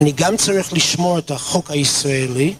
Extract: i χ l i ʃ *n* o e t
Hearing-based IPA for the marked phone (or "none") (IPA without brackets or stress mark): m